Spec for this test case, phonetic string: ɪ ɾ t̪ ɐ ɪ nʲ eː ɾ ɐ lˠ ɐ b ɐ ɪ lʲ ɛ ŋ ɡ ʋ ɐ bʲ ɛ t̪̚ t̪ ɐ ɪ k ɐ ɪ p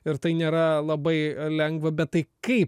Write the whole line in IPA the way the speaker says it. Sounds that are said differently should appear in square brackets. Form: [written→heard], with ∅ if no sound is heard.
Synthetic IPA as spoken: ɪ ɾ t̪ ɐ ɪ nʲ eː ɾ ɐ lˠ ɐ b ɐ ɪ lʲ ɛ ŋ ɡ ʋ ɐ bʲ ɛ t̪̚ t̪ ɐ ɪ k ɐ ɪ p